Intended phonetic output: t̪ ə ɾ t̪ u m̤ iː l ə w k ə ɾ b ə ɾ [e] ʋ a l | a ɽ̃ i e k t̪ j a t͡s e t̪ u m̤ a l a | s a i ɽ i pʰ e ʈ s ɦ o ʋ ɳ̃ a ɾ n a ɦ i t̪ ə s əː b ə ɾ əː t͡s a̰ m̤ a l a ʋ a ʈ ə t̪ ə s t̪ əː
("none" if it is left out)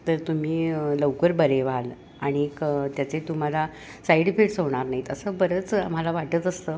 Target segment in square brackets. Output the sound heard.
e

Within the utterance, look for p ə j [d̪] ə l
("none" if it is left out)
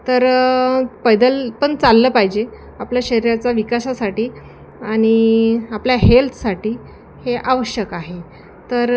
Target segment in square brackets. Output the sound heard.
d̪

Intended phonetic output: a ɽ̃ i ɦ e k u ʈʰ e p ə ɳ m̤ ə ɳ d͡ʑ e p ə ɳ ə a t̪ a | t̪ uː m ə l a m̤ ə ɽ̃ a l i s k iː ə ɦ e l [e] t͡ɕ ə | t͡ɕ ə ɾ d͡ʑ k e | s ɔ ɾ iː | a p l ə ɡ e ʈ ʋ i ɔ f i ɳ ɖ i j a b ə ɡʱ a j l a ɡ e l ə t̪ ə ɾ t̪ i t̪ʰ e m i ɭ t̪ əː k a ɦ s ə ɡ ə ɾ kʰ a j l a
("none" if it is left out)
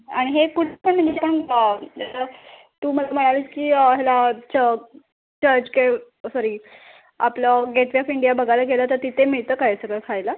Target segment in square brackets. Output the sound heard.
a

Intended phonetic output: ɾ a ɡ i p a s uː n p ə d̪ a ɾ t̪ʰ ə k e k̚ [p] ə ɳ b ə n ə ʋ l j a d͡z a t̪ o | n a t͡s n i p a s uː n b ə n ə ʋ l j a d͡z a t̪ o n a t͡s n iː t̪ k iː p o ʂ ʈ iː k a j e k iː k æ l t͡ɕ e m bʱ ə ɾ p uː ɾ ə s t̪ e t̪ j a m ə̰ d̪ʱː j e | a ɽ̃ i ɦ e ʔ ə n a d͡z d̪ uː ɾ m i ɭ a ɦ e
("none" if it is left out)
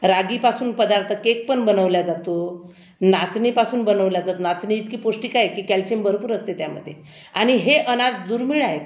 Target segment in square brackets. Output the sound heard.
p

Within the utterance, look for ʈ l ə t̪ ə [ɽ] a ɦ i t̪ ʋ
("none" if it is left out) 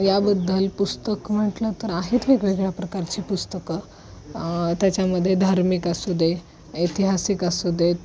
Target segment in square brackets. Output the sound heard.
ɾ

